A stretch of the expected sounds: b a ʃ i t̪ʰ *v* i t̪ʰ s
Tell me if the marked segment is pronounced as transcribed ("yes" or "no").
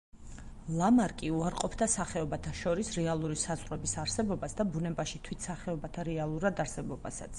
no